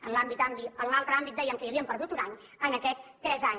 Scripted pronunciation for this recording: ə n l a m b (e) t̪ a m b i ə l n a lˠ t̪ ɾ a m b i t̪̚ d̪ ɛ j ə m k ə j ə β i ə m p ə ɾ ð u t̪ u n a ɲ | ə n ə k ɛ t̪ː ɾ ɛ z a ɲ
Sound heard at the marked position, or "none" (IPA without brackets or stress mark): i